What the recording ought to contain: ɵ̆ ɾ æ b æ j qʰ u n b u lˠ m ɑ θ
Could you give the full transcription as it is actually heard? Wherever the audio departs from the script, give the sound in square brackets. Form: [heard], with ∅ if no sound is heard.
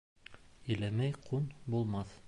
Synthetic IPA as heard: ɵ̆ [l] æ [m] æ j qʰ u n b u lˠ m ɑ θ